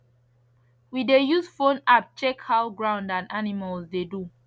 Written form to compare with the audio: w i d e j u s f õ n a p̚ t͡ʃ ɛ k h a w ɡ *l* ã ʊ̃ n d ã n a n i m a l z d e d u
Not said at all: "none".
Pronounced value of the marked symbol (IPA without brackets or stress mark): ɹ